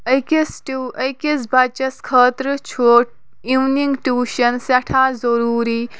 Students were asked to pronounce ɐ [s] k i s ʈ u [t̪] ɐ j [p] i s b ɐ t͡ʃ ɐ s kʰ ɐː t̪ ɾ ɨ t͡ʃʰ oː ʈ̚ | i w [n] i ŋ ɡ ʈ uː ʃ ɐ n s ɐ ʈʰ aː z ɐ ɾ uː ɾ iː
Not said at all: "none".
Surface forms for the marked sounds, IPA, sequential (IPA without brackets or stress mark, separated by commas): none, none, k, n